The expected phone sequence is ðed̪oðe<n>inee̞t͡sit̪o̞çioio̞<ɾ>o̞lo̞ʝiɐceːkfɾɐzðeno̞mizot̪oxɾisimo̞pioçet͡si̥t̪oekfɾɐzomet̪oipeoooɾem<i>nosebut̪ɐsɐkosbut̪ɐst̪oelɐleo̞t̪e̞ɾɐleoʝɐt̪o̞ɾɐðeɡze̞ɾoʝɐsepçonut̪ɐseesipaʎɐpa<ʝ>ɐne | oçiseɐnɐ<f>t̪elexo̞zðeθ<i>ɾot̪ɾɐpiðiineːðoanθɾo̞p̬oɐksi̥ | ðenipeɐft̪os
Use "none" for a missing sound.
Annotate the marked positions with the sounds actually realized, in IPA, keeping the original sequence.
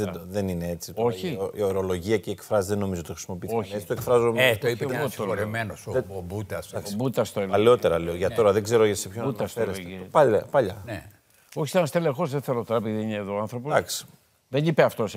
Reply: n, ɾ, e, ʎ, s, e

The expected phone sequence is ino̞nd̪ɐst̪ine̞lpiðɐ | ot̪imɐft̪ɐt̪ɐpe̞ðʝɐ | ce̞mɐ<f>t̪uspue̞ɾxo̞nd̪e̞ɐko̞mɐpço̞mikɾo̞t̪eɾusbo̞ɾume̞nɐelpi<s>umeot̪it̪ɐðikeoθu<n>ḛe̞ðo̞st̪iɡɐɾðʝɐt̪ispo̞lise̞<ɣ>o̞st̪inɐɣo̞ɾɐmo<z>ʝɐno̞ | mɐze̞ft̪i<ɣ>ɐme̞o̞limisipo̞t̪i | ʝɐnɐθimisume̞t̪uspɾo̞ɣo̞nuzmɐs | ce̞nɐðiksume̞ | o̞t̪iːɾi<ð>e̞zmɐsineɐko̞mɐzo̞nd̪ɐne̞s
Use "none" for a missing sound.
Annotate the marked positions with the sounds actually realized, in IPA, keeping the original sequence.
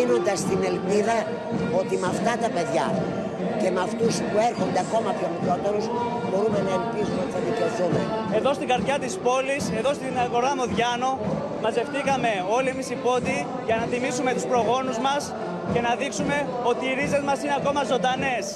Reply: f, z, m, ð, ð, ɣ, z

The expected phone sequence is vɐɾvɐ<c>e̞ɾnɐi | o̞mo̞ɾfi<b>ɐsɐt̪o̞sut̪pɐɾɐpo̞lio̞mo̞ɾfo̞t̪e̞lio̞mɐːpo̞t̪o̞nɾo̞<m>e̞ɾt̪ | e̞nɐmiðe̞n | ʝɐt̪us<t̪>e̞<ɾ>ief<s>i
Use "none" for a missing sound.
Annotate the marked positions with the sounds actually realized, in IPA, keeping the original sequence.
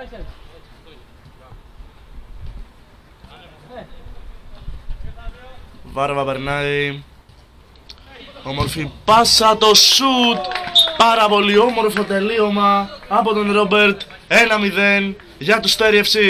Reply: p, p, b, t̪, ɾ, s

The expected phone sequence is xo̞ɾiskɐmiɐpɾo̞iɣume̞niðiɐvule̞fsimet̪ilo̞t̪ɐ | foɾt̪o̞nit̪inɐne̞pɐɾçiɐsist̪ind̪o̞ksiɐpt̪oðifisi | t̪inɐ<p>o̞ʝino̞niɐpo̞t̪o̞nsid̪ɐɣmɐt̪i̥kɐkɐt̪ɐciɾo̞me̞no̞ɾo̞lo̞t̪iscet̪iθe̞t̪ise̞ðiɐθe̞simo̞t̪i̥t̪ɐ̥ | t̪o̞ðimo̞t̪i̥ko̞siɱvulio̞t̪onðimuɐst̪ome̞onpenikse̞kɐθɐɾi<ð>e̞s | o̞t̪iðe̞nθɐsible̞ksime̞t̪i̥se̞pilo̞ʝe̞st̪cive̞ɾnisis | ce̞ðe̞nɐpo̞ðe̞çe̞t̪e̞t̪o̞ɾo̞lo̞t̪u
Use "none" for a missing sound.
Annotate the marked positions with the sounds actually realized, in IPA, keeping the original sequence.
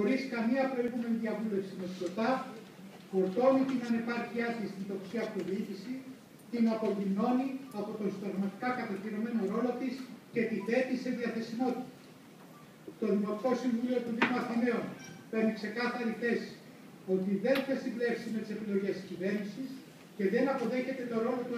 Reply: p, θ

